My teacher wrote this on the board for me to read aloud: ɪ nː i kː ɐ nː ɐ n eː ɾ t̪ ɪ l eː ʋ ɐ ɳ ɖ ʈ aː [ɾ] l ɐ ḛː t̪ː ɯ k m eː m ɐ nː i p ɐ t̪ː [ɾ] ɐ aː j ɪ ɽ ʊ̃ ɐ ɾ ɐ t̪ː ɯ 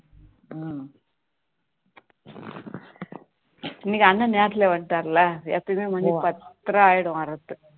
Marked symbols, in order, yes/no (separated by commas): yes, yes